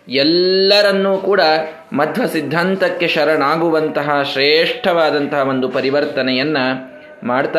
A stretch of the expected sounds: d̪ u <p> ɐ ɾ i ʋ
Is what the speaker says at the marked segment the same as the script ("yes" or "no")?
yes